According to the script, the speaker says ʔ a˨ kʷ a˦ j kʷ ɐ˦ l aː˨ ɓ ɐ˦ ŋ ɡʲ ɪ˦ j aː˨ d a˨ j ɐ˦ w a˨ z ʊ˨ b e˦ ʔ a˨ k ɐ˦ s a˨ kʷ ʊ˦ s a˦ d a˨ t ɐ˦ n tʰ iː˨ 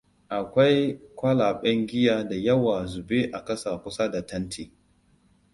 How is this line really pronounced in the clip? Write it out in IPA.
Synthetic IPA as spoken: ʔ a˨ kʷ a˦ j kʷ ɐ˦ l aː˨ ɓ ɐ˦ ŋ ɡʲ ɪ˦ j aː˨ d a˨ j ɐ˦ w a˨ z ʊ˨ b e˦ ʔ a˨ k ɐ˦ s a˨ kʷ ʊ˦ s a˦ d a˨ t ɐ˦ n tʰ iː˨